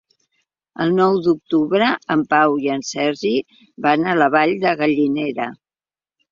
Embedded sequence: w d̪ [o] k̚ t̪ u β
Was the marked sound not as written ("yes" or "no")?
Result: yes